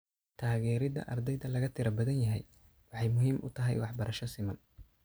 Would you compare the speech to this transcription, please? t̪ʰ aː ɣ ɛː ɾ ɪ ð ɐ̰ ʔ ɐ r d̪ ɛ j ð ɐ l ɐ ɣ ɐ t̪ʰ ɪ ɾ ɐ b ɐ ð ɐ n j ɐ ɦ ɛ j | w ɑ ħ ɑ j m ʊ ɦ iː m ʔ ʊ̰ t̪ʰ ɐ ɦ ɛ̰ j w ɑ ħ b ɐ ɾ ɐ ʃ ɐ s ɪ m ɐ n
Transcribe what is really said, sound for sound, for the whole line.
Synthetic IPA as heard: t̪ʰ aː ɣ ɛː ɾ ɪ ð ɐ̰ ʔ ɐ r d̪ ɛ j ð ɐ l ɐ ɣ ɐ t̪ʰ ɪ ɾ ɐ b ɐ ð ɐ n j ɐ ɦ ɛ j | w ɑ ħ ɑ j m ʊ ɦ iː m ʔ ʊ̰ t̪ʰ ɐ ɦ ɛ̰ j w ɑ ħ b ɐ ɾ ɐ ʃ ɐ s ɪ m ɐ n